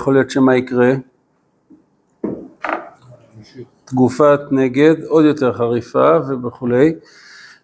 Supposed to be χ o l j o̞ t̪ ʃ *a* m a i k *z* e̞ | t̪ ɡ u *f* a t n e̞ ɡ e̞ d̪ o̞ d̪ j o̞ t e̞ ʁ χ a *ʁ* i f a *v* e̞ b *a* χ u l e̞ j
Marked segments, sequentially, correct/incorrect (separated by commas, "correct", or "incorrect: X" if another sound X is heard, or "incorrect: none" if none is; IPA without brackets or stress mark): incorrect: e, incorrect: ʁ, correct, correct, correct, incorrect: e